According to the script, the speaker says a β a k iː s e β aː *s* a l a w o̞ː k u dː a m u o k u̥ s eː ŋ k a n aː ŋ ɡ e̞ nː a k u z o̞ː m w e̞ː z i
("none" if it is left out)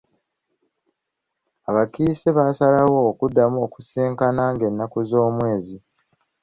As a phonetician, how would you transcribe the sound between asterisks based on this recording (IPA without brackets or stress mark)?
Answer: s